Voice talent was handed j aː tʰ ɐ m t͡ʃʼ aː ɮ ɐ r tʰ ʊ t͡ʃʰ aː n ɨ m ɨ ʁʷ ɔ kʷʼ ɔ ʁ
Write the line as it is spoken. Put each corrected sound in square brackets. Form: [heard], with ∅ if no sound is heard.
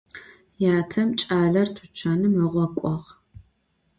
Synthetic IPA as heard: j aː tʰ ɐ m t͡ʃʼ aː ɮ ɐ r tʰ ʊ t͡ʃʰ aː n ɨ m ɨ ʁʷ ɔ kʷʼ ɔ ʁ